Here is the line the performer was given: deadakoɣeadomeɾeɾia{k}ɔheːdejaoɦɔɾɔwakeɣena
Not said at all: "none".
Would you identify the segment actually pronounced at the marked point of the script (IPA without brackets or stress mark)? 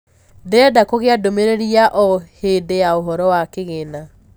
ʔ